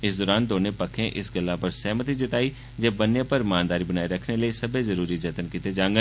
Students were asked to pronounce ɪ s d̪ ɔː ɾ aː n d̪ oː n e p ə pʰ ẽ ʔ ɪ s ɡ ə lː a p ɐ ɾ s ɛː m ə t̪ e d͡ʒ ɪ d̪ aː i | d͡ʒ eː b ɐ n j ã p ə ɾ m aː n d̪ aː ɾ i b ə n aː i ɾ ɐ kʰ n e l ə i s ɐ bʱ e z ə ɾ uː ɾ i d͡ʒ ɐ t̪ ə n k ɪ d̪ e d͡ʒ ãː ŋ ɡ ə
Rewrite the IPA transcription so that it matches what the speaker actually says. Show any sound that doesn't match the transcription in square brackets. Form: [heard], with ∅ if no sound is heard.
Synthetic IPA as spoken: ɪ s d̪ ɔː ɾ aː n d̪ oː n e p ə [kʰ] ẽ ʔ ɪ s ɡ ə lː a p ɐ ɾ s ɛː m ə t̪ [i] d͡ʒ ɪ [t̪] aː i | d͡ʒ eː b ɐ n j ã p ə ɾ m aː n d̪ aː ɾ i b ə n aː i ɾ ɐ kʰ n e l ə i s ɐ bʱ e z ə ɾ uː ɾ i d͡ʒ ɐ t̪ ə n k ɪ [t̪] e d͡ʒ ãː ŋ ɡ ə